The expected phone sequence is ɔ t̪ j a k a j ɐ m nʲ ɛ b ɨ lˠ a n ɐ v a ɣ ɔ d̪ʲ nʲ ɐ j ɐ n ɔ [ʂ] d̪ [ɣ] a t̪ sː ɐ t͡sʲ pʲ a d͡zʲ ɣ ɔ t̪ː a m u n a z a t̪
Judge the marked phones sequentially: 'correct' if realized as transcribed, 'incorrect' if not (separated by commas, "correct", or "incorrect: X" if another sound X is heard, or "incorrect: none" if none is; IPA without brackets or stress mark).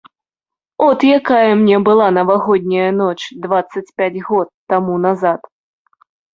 incorrect: t͡ʂ, incorrect: v